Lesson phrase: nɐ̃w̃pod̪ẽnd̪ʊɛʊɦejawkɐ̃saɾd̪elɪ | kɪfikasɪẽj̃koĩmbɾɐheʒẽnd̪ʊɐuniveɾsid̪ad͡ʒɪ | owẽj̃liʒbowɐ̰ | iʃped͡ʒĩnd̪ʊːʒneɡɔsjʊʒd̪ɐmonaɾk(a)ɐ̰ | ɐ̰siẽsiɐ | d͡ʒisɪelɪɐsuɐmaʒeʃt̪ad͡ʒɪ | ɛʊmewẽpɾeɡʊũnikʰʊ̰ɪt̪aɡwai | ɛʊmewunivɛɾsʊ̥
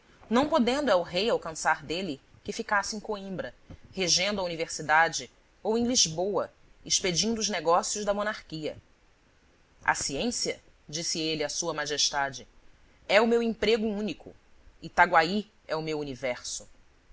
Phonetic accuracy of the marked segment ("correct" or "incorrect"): incorrect